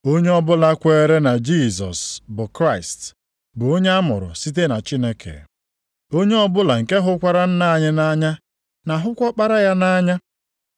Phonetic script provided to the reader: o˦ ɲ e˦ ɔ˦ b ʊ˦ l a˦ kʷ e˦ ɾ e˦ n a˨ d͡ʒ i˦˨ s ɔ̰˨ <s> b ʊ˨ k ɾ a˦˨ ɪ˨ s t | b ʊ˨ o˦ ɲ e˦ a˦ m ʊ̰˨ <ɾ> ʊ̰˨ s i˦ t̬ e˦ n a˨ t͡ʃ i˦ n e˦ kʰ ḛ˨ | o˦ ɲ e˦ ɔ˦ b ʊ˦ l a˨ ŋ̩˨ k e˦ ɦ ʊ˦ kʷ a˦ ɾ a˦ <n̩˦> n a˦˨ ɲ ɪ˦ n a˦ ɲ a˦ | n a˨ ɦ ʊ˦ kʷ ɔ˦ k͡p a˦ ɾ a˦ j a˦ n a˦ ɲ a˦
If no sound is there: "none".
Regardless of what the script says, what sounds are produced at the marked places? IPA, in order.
s, ɾ, n̩˦

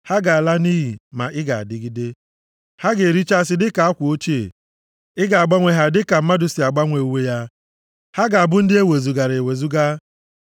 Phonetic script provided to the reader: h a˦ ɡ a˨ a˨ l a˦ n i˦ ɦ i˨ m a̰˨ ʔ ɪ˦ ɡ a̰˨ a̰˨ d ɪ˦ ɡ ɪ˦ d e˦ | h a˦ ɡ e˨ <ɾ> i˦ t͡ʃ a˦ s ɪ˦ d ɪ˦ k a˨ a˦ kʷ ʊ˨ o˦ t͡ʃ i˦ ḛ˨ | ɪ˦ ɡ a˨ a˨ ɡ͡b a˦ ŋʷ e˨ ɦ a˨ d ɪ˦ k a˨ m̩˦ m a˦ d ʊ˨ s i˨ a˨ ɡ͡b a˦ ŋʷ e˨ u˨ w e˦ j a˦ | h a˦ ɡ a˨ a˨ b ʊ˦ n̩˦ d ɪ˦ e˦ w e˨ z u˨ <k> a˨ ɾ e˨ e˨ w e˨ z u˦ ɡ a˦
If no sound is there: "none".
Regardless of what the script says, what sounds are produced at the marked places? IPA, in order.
ɾ, ɡ

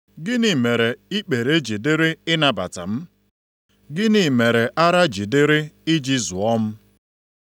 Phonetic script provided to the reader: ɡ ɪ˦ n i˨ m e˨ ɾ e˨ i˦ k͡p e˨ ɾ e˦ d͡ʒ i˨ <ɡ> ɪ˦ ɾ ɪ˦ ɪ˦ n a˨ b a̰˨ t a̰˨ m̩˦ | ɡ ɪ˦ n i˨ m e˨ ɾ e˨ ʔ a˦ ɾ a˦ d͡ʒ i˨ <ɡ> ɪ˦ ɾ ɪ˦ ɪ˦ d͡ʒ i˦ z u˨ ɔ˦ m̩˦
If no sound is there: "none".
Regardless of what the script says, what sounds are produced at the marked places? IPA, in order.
d, d

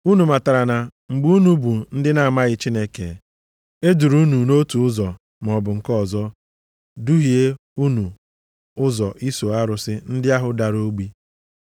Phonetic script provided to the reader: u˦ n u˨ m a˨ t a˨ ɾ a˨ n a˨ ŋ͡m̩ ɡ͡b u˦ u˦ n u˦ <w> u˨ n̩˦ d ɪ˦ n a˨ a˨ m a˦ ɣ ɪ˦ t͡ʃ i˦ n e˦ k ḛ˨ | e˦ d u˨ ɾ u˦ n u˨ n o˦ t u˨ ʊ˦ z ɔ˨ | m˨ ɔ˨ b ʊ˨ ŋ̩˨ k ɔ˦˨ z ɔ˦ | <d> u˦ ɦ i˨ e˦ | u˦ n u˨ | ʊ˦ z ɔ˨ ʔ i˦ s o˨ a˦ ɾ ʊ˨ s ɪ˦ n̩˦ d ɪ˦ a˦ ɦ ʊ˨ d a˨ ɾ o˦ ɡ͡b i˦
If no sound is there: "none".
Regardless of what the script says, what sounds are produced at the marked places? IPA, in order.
b, d

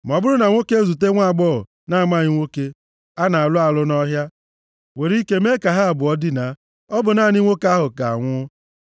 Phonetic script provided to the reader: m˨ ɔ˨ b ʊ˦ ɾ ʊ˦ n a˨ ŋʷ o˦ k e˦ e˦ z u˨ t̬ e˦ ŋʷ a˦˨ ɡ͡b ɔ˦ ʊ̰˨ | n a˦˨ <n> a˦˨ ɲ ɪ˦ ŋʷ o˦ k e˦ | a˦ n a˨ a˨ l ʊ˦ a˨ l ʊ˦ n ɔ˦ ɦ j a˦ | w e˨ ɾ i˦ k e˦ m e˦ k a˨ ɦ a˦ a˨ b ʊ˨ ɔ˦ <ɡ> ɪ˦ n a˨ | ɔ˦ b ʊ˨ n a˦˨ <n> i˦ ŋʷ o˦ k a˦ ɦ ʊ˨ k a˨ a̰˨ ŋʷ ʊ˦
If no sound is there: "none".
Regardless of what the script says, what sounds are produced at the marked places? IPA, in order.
m, d, n

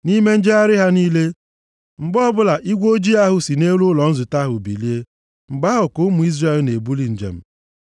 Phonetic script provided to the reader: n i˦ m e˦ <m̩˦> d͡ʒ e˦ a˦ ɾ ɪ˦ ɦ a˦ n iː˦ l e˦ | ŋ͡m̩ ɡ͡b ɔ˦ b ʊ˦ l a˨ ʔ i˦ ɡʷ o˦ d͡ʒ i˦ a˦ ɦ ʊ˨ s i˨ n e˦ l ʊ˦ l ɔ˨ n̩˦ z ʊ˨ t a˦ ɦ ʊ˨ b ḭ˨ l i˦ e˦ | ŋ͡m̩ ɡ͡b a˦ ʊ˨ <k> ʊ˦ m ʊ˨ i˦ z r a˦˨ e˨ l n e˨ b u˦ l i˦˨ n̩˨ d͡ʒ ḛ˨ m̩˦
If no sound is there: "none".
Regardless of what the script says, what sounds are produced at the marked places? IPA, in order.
n̩˦, k

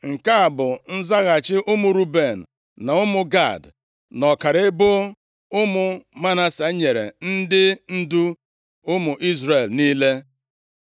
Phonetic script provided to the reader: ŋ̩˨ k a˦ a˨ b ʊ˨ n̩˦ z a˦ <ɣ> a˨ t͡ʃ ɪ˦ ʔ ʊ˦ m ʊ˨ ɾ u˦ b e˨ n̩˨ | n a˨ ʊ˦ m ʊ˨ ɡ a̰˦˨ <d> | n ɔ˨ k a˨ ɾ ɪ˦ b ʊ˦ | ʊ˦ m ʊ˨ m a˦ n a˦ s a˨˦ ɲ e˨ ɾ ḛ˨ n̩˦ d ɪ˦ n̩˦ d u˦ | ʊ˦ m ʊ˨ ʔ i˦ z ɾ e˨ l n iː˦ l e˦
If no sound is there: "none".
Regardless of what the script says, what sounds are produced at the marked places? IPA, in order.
ɣ, d

